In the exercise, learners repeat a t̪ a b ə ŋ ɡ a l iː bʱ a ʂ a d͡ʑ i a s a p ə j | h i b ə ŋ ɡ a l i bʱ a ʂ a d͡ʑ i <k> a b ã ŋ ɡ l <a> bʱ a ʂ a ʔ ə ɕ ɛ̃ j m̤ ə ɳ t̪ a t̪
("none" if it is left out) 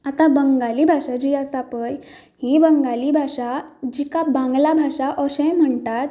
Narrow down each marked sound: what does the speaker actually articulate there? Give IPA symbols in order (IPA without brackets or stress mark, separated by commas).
k, a